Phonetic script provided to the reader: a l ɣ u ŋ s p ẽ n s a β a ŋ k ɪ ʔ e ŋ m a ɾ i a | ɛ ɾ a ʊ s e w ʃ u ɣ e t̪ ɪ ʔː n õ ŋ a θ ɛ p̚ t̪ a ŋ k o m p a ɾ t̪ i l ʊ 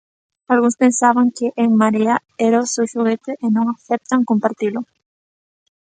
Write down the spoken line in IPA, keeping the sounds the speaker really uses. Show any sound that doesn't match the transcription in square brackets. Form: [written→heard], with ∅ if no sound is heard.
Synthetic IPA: a l ɣ u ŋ s p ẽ n s a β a ŋ k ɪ ʔ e ŋ m a ɾ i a | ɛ ɾ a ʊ s e w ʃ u ɣ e t̪ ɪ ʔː n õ ŋ a θ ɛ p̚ t̪ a ŋ k o m p a ɾ t̪ i l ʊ